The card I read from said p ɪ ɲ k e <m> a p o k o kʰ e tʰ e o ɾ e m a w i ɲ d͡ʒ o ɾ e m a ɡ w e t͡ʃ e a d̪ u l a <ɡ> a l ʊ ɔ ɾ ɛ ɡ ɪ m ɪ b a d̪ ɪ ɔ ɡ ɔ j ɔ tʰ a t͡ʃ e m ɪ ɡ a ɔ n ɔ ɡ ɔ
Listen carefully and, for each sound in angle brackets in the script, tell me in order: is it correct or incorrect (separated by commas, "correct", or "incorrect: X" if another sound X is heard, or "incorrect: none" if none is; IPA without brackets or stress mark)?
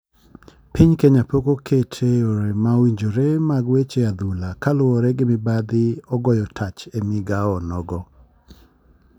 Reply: incorrect: ɲ, incorrect: k